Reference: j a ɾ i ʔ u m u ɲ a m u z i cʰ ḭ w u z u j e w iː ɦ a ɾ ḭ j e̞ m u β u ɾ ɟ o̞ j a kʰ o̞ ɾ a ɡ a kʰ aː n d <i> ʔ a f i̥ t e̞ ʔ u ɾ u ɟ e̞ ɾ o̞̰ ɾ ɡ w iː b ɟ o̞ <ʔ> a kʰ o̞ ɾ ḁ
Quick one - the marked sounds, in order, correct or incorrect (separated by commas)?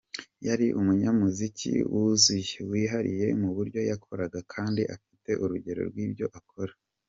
correct, correct